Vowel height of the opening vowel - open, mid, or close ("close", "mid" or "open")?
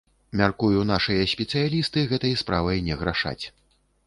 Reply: open